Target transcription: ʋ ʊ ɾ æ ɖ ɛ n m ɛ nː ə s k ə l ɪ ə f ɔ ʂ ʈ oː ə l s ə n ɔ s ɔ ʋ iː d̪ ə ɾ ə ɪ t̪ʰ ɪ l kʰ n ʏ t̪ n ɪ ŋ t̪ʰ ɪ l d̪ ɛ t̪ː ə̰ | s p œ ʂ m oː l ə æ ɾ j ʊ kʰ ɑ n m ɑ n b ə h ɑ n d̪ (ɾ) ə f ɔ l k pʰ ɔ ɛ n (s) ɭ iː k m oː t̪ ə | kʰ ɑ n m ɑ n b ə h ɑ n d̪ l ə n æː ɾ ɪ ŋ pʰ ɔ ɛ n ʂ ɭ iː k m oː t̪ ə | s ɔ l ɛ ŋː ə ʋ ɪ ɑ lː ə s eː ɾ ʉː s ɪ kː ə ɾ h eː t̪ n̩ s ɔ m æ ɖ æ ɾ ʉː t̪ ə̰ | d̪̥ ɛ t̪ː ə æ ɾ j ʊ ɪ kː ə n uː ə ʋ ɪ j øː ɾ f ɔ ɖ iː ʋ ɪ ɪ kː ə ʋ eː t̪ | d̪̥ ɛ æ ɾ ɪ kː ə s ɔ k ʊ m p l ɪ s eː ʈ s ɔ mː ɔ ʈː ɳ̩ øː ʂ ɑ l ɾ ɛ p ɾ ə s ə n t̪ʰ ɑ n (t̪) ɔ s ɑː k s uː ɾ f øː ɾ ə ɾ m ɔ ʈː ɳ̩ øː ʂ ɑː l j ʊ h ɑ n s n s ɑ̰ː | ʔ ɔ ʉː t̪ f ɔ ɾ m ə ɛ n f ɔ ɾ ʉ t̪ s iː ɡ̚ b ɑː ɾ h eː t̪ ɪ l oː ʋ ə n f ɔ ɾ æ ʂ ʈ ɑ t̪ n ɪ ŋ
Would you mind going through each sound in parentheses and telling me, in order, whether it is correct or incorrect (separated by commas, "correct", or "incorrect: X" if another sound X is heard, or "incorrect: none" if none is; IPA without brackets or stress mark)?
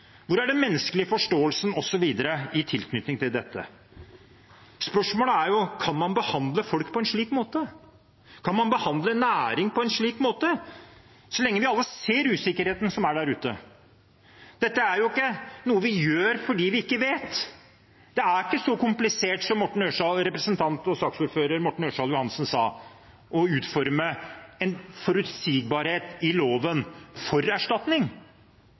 incorrect: l, incorrect: ʂ, correct